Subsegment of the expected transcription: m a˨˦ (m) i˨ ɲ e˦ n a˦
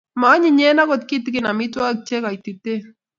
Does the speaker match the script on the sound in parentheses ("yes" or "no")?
no